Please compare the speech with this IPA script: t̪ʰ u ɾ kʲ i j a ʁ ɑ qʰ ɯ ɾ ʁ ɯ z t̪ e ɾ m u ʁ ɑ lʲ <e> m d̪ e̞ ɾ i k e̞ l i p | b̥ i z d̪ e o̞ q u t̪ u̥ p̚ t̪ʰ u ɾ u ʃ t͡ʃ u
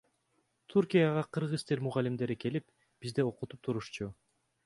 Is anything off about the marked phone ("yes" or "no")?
yes